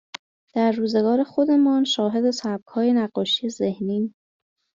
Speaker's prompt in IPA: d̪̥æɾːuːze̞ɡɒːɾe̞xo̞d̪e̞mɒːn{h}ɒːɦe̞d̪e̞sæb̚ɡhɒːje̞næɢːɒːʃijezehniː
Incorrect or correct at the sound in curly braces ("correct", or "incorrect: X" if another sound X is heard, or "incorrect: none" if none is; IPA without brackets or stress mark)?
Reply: incorrect: ʃ